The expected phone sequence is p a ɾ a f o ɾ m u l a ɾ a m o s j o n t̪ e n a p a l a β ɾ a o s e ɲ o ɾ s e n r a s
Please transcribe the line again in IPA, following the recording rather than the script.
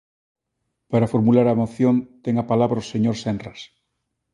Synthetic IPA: p a ɾ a f o ɾ m u l a ɾ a m o θ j o n t̪ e ŋ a p a l a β ɾ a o s e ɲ o ɾ s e n r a s